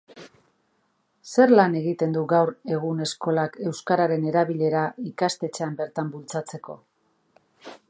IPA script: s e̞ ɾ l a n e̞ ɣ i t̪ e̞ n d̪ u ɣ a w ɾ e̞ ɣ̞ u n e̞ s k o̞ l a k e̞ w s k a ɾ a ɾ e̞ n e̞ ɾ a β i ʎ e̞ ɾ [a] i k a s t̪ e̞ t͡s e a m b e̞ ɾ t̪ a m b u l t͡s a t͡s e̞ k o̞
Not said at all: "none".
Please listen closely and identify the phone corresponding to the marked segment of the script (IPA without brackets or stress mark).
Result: a